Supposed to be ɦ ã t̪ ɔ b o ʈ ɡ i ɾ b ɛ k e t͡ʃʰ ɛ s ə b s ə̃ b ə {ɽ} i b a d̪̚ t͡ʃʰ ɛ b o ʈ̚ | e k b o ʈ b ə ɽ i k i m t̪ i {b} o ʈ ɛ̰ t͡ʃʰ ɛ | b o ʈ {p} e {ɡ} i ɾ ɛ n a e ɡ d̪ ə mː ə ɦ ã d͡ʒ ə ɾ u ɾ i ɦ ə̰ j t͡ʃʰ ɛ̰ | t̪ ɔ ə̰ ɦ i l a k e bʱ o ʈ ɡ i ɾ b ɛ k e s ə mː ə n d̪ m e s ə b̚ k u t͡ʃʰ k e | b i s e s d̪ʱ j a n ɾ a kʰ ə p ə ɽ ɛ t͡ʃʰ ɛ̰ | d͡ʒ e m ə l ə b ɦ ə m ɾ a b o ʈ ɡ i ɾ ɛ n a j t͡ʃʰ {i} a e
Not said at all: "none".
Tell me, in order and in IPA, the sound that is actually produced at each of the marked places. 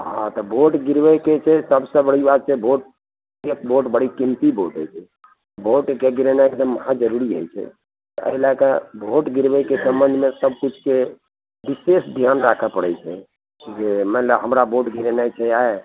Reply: ɽ, b, k, ɡ, ɛ

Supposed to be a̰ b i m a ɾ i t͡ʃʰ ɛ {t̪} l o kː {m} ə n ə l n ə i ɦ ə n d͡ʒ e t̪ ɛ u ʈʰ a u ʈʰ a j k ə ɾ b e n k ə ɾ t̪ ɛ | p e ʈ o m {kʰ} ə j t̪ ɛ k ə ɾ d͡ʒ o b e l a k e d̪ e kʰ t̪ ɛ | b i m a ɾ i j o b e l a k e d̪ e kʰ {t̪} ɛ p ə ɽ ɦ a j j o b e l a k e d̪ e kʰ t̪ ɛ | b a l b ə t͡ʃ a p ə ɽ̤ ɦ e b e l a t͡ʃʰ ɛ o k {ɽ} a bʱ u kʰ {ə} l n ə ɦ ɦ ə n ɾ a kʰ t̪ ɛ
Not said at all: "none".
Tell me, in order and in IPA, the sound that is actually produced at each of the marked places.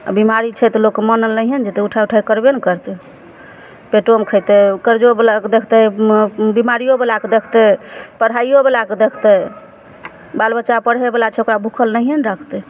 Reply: t̪, m, kʰ, t̪, ɾ, ə

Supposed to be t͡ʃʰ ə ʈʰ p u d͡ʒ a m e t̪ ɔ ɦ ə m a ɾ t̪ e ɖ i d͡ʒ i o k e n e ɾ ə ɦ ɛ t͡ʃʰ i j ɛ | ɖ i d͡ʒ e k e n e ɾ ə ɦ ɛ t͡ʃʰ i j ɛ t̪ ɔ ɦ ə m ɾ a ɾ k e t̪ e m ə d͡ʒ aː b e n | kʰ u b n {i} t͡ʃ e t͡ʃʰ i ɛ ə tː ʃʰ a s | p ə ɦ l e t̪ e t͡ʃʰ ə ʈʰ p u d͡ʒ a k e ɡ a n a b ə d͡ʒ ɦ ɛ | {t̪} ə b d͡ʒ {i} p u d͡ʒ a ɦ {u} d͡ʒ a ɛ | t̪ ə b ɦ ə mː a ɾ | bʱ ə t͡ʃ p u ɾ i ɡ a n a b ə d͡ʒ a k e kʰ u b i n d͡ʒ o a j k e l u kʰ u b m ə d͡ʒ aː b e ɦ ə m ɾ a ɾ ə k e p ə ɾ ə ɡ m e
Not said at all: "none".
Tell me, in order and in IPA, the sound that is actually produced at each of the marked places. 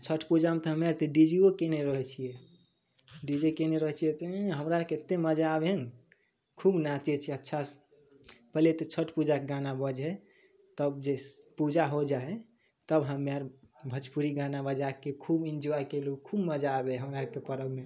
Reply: a, t̪, e, o

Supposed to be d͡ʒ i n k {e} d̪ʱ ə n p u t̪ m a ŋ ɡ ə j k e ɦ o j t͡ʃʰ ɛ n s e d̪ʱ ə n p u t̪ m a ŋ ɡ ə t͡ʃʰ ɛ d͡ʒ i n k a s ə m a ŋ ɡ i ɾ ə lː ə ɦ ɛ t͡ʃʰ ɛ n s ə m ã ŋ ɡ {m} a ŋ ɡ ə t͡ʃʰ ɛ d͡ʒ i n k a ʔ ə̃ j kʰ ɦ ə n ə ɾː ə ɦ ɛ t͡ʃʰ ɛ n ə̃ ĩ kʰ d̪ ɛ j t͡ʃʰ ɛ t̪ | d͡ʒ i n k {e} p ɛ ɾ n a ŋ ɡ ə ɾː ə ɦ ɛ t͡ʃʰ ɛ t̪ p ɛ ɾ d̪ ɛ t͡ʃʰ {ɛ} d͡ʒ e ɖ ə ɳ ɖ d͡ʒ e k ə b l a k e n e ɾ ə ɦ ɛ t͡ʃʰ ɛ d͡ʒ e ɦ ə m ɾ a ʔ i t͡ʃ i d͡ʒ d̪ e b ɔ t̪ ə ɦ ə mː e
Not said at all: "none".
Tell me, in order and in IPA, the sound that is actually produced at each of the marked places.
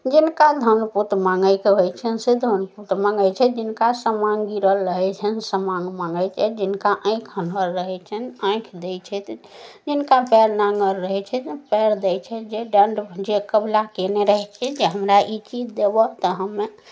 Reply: a, m, a, ɛ

